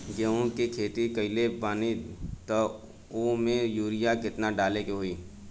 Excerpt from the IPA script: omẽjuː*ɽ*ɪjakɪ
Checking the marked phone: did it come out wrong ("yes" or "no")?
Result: yes